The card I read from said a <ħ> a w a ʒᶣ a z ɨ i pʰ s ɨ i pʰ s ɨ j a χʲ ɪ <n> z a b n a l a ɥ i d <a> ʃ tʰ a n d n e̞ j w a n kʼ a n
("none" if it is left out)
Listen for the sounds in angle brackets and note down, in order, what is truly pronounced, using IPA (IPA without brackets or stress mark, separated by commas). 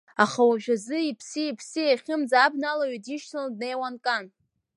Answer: χ, m, i